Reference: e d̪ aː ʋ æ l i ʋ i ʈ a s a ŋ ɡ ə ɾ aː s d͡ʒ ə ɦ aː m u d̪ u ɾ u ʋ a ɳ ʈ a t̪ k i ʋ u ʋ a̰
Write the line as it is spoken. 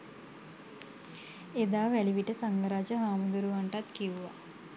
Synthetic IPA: e d̪ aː ʋ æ l i ʋ i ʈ ə s a ŋ ɡ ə ɾ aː d͡ʒ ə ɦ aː m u d̪ u ɾ u ʋ a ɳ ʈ a t̪ k i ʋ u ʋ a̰